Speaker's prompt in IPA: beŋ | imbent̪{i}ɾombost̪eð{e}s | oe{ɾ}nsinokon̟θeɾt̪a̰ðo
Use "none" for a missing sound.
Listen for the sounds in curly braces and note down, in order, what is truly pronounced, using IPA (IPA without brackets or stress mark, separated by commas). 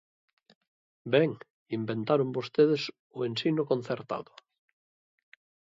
a, e, none